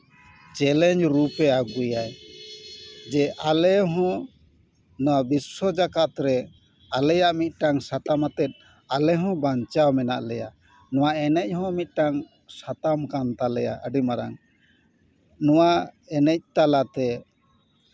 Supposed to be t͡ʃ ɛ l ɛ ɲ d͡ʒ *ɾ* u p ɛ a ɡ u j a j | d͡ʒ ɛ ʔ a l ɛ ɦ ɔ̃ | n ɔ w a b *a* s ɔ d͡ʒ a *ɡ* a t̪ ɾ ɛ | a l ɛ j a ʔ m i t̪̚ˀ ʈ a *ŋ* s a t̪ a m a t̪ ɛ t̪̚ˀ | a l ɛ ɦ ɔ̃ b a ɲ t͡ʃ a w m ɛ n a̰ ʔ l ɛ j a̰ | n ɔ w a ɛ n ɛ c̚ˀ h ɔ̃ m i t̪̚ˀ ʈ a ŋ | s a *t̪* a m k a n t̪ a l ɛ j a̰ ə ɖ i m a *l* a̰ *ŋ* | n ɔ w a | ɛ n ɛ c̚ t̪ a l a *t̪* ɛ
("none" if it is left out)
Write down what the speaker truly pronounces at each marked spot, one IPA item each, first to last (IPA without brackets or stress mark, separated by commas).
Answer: ɾ, i, k, ŋ, t̪, ɾ, ŋ, t̪